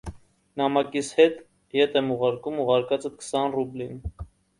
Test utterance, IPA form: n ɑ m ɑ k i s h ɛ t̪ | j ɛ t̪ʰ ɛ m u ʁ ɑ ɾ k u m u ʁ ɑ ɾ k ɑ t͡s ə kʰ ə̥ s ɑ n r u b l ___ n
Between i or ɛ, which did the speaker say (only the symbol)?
i